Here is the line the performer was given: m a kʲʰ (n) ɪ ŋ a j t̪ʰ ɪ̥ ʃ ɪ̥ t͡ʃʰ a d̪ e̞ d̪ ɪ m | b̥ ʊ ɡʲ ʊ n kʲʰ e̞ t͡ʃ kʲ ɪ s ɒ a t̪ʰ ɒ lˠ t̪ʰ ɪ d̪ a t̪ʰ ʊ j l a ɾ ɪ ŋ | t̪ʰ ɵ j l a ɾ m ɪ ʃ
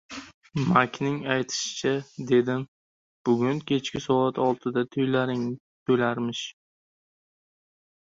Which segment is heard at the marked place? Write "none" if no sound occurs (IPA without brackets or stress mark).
n